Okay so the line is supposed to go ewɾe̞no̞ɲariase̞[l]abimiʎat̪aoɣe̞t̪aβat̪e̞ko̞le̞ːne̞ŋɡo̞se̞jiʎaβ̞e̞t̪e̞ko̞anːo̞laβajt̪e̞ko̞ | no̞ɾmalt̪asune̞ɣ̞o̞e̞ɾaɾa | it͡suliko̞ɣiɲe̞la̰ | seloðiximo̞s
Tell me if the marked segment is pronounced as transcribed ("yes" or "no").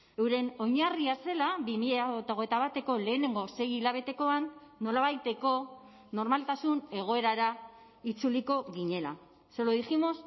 yes